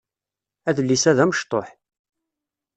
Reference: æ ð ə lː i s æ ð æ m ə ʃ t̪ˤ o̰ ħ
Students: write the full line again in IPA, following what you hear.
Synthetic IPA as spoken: æ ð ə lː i s æ ð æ m ə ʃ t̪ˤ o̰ ħ

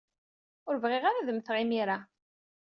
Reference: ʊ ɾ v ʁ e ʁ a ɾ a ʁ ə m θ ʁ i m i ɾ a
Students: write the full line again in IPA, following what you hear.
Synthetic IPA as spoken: ʊ ɾ v ʁ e ʁ a ɾ a ð ə m θ ʁ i m i ɾ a

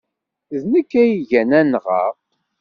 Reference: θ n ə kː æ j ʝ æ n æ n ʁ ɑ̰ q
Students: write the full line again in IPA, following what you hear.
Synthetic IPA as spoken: ð n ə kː æ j ʝ æ n æ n ʁ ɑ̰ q

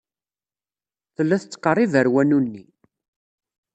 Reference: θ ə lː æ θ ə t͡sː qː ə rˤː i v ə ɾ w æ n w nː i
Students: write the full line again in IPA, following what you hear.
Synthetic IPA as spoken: θ ə lː æ θ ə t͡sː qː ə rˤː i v ə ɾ w æ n u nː i

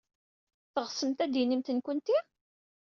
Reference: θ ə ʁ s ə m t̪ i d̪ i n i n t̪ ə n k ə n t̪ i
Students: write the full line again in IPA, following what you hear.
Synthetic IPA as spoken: θ ə ʁ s ə m t̪ æ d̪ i n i m t̪ ə n k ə n t̪ i

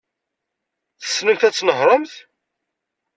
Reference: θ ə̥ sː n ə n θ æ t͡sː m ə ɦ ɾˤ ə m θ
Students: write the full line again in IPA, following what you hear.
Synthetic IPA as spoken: θ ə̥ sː n ə m θ æ t͡sː n ə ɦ ɾˤ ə m θ

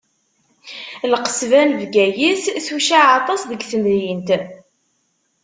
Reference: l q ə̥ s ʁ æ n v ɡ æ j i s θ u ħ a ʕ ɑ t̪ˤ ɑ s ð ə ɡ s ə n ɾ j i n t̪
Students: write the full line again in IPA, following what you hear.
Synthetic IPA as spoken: l q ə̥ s v æ n v ɡ æ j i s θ u ʃ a ʕ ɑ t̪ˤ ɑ s ð ə ɡ θ ə n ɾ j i n t̪

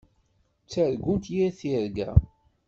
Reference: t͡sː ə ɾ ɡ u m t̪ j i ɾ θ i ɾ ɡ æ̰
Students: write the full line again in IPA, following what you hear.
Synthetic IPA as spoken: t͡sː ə ɾ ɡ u n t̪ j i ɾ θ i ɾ ɡ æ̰

